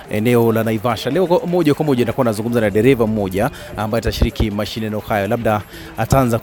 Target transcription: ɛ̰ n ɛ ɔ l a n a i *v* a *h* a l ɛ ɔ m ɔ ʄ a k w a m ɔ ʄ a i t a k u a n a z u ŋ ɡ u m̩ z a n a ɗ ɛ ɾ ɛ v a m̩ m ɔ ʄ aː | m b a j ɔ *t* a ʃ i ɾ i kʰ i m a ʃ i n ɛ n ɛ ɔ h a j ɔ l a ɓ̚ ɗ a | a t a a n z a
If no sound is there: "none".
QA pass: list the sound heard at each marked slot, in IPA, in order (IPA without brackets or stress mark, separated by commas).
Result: v, ʃ, t